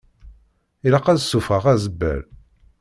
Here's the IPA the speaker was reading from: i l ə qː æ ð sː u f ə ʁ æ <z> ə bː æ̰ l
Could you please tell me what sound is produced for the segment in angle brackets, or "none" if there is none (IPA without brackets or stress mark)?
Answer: z